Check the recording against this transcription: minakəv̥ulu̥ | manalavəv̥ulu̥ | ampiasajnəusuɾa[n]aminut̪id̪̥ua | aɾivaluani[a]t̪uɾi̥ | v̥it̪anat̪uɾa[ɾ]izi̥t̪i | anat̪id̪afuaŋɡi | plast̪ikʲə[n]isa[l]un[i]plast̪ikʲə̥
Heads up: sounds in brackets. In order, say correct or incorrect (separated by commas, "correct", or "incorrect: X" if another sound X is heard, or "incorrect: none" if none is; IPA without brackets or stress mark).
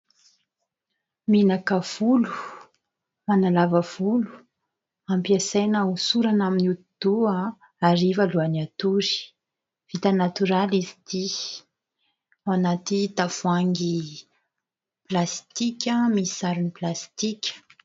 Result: correct, correct, incorrect: l, incorrect: m, incorrect: ɾ, correct